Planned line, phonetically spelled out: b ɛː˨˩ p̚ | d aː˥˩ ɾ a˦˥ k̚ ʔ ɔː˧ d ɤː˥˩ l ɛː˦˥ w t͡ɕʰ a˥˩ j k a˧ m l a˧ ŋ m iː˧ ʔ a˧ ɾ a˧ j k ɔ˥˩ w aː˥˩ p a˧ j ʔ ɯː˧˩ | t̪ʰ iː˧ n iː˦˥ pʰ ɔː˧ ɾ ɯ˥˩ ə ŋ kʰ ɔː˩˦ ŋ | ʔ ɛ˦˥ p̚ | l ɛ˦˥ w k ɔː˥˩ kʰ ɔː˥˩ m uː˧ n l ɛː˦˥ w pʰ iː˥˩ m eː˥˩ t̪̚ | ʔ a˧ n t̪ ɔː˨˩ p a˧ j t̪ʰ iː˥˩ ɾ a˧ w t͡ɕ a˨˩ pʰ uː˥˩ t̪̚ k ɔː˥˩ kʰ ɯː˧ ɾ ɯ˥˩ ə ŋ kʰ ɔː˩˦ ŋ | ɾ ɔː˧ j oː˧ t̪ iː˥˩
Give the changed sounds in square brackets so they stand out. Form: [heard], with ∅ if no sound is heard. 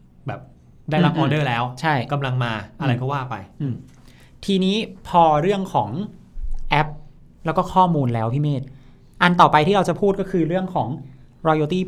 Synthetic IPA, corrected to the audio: b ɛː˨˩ p̚ | d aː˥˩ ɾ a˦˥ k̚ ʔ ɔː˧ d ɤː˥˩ l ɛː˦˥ w t͡ɕʰ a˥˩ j k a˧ m l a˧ ŋ m [aː˧] ʔ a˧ ɾ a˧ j k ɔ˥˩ w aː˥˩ p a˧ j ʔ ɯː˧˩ | t̪ʰ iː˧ n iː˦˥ pʰ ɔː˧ ɾ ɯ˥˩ ə ŋ kʰ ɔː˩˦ ŋ | ʔ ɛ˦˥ p̚ | l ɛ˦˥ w k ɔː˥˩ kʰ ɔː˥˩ m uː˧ n l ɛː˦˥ w pʰ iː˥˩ m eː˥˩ t̪̚ | ʔ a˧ n t̪ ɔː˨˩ p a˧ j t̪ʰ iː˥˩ ɾ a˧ w t͡ɕ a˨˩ pʰ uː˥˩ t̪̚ k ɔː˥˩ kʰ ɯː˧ ɾ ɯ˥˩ ə ŋ kʰ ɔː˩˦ ŋ | ɾ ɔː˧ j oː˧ t̪ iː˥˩